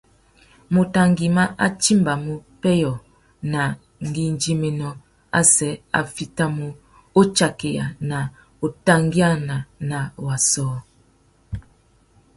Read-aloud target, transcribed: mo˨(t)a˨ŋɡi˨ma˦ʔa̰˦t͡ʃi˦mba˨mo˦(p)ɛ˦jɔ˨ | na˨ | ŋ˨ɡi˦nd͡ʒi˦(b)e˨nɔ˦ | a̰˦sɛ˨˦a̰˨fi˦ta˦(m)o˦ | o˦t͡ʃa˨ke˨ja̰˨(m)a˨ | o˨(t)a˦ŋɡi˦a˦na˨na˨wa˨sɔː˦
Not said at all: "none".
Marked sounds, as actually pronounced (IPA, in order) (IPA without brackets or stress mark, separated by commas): t, p, m, m, n, t